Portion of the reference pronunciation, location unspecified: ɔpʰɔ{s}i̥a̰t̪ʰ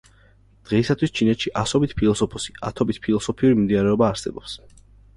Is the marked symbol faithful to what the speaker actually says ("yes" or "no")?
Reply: yes